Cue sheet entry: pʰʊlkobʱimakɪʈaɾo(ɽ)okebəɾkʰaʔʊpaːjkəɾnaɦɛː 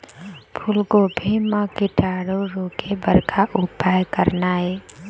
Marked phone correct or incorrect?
incorrect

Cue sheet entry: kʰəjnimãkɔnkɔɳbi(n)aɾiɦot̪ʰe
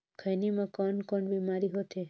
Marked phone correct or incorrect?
incorrect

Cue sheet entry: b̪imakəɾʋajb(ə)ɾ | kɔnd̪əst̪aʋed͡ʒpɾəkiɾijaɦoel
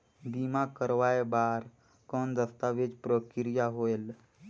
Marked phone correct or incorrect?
incorrect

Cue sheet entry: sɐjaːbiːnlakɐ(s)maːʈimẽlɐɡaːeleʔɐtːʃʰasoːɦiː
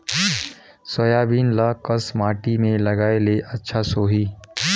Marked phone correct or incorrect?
correct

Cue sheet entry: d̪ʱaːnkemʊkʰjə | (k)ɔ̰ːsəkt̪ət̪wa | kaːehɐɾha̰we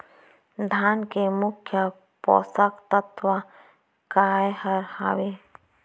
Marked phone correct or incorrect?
incorrect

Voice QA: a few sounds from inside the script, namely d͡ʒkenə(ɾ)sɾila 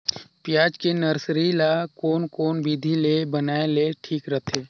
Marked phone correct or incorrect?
correct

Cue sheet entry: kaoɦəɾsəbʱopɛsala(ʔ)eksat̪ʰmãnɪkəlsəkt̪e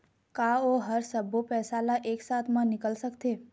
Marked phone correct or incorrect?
correct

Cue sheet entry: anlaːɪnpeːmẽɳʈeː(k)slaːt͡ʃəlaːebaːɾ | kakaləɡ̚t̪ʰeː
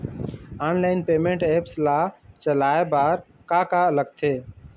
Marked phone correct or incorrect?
incorrect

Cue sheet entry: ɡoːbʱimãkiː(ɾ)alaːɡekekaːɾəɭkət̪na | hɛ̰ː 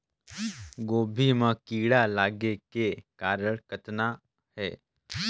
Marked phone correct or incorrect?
incorrect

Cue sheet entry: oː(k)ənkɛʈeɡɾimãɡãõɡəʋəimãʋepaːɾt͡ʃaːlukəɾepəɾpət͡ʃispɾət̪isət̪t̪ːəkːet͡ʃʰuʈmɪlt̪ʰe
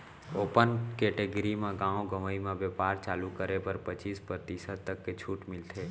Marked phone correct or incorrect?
incorrect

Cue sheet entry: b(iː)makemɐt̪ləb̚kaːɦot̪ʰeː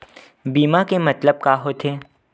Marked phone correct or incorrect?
correct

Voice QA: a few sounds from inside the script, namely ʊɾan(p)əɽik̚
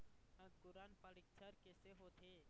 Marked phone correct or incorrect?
correct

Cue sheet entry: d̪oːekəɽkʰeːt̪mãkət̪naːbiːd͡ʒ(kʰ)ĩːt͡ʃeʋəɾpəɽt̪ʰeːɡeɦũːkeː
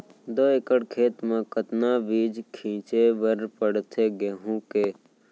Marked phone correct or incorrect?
correct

